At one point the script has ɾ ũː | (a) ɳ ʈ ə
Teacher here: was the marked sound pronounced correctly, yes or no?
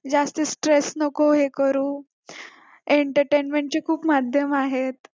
no